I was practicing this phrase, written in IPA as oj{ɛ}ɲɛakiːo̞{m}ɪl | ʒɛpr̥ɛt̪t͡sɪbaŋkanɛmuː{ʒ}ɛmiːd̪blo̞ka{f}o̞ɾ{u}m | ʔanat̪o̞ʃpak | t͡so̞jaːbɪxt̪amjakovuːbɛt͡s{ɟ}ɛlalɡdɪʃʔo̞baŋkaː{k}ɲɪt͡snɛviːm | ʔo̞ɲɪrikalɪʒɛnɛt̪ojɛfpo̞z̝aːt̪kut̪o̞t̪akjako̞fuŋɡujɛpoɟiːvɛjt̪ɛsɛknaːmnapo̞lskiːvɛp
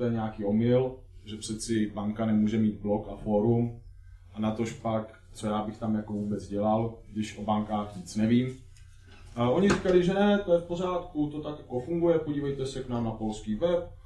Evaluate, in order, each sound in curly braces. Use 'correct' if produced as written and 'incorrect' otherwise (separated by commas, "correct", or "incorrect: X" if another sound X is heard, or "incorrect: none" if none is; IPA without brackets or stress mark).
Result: correct, correct, correct, correct, correct, correct, incorrect: x